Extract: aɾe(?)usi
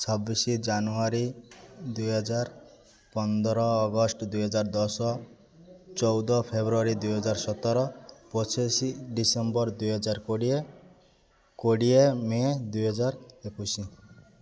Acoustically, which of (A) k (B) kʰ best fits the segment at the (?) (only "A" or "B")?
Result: A